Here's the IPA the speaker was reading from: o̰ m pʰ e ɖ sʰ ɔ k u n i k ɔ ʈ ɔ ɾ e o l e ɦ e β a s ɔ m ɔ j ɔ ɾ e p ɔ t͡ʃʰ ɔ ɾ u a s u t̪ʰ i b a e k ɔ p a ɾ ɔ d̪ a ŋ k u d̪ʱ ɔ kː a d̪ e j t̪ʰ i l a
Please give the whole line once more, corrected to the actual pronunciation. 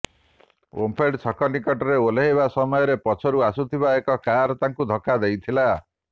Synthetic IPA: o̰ m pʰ e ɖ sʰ ɔ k ɔ n i k ɔ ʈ ɔ ɾ e o l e ɦ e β a s ɔ m ɔ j ɔ ɾ e p ɔ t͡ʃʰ ɔ ɾ u a s u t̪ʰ i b a e k ɔ k a ɾ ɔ t̪ a ŋ k u d̪ʱ ɔ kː a d̪ e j t̪ʰ i l a